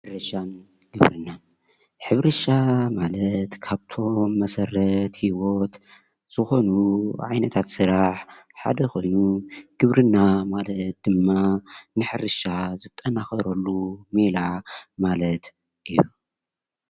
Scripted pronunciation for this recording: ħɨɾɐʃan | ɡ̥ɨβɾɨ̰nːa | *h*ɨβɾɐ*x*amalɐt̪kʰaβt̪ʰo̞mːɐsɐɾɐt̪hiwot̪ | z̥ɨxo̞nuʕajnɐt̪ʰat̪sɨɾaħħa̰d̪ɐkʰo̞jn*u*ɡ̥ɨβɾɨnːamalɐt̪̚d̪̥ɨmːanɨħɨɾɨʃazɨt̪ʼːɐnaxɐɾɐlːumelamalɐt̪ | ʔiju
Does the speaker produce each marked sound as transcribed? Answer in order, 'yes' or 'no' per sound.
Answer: no, no, yes

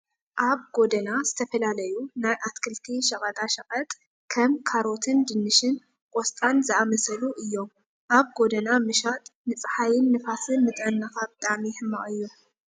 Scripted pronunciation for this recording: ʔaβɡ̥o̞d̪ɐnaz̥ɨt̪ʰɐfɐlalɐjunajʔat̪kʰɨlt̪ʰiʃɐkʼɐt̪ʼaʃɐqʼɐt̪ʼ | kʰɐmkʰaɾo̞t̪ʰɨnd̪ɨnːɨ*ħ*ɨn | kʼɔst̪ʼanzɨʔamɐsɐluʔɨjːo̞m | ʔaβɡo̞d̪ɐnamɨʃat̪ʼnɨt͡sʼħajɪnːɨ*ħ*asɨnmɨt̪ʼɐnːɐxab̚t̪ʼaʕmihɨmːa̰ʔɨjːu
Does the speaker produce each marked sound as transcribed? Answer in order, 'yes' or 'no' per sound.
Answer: no, no

